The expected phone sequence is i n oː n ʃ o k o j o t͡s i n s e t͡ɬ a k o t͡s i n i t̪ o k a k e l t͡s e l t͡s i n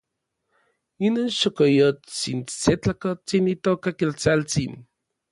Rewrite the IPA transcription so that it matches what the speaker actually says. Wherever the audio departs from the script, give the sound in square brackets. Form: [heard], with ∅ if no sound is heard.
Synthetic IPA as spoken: i n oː n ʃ o k o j o t͡s i n s e t͡ɬ a k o t͡s i n i t̪ o k a k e l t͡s [a] l t͡s i n